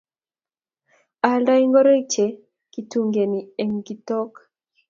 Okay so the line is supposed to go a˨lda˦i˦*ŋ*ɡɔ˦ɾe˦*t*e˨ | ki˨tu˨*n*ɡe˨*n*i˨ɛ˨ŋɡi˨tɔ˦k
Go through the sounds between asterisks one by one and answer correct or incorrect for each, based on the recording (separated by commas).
correct, incorrect, incorrect, correct